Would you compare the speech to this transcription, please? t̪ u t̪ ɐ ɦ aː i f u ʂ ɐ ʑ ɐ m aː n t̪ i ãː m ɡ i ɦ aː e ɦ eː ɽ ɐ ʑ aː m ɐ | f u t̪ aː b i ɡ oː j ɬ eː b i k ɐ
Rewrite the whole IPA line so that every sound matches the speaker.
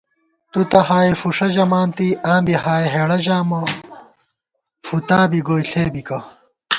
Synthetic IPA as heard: t̪ u t̪ ɐ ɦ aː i f u ʂ ɐ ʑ ɐ m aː n t̪ i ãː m b i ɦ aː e ɦ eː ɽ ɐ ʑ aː m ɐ | f u t̪ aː b i ɡ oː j ɬ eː b i k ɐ